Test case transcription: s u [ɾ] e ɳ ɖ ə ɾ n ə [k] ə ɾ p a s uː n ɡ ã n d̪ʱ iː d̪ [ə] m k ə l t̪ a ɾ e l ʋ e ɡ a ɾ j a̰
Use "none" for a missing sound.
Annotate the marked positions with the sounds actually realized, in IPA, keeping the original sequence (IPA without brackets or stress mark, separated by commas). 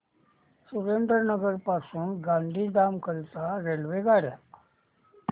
ɾ, ɡ, a